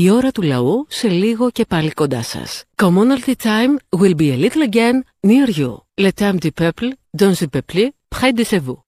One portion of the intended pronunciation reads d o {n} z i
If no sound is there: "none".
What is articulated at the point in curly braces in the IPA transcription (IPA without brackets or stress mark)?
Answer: n